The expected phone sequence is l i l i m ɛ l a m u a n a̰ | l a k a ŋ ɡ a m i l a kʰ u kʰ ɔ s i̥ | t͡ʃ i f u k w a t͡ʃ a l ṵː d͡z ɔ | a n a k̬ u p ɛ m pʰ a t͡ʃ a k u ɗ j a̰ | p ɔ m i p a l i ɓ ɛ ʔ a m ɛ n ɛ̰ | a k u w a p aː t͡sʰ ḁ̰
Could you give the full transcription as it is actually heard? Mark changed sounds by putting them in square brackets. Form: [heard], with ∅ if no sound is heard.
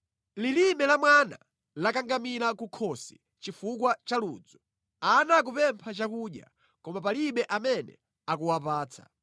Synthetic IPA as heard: l i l i m ɛ l a m [w] a n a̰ | l a k a ŋ ɡ a m i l a [k] u kʰ ɔ s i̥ | t͡ʃ i f u k w a t͡ʃ a l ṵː d͡z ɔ | a n a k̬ u p ɛ m pʰ a t͡ʃ a k u ɗ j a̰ | [k] ɔ m [a] p a l i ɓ ɛ ʔ a m ɛ n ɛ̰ | a k u w a p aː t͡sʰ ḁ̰